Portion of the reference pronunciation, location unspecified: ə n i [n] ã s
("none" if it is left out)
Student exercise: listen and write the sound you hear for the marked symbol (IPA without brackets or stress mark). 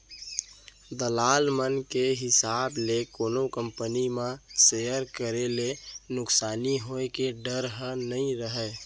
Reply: m